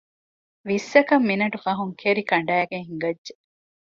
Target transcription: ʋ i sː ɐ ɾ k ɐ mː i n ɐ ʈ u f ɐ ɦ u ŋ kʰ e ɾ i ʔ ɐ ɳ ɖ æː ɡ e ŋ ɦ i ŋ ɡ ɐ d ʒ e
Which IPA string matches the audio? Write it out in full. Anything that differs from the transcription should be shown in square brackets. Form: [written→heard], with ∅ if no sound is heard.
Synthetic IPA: ʋ i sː ɐ [ɾ→∅] k ɐ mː i n ɐ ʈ u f ɐ ɦ u ŋ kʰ e ɾ i [ʔ→k] ɐ ɳ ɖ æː ɡ e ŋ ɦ i ŋ ɡ ɐ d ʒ e